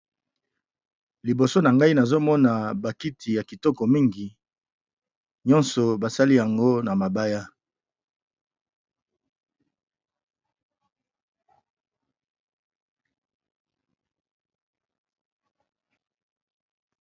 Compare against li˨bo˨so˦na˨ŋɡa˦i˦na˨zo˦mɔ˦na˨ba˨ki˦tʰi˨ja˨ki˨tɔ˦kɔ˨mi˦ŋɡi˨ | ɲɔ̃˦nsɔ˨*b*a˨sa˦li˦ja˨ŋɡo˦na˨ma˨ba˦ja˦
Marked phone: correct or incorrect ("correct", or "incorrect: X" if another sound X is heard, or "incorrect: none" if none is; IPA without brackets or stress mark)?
correct